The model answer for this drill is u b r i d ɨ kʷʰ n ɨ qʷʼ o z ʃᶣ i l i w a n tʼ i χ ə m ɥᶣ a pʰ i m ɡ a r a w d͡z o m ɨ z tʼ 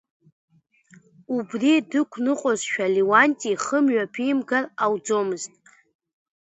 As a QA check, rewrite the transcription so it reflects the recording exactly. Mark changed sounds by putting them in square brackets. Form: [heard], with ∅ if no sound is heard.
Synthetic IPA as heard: u b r i d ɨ kʷʰ n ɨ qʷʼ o z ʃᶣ [a] l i w a n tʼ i χ ə m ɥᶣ a pʰ i m ɡ a r a w d͡z o m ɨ z tʼ